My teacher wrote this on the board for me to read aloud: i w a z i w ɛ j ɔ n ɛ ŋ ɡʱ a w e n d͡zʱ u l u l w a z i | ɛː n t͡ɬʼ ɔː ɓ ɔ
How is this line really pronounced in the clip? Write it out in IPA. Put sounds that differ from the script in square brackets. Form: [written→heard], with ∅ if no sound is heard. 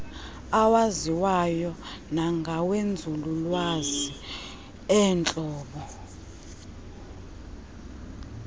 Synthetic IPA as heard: [i→a] w a z i w [ɛ→a] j ɔ n [ɛ→a] ŋ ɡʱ a w e n d͡zʱ u l u l w a z i | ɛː n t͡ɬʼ ɔː ɓ ɔ